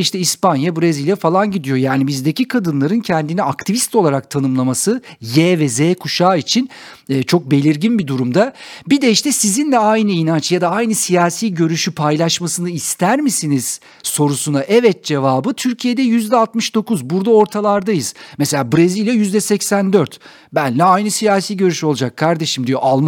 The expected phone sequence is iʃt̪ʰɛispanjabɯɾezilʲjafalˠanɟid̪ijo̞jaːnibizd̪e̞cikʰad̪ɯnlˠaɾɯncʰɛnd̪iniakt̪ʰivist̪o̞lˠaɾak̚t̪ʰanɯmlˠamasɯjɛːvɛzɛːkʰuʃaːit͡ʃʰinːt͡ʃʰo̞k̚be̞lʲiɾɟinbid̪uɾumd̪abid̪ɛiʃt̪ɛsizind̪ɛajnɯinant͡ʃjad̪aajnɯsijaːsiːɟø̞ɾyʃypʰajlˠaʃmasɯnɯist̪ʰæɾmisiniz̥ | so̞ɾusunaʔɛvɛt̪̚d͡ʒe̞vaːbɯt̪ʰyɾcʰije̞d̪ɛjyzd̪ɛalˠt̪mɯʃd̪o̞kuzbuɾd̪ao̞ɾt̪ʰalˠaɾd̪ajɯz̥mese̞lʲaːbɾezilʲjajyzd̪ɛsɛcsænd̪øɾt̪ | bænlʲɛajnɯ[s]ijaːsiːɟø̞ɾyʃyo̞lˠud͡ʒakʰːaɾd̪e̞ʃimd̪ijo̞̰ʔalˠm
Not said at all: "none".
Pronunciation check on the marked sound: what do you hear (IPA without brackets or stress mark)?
s